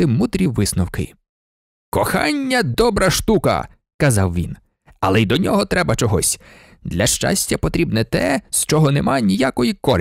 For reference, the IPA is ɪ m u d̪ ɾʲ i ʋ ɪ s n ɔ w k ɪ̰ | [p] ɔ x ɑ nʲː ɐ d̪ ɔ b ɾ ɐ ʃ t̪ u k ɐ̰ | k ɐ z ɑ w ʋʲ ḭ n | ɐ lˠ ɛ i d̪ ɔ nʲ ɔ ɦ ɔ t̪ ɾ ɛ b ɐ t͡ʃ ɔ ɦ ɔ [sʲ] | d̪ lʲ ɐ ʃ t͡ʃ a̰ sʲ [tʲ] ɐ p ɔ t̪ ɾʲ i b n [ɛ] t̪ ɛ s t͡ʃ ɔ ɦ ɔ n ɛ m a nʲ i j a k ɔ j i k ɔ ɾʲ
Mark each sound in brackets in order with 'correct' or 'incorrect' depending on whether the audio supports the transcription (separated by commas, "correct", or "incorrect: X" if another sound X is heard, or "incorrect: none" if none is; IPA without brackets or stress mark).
incorrect: k, correct, correct, correct